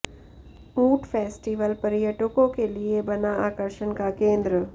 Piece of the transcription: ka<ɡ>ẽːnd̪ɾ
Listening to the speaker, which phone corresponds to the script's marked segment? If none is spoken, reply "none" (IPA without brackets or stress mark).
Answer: k